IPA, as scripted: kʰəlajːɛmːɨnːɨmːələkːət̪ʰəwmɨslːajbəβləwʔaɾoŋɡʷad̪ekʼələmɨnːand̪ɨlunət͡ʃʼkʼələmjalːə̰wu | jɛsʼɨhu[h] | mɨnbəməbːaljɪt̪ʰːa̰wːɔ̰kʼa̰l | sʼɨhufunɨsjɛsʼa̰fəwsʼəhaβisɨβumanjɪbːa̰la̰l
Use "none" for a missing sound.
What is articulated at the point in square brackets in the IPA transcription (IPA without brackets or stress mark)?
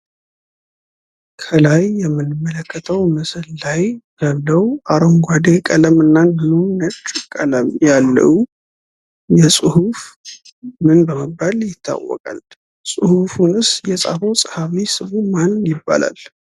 f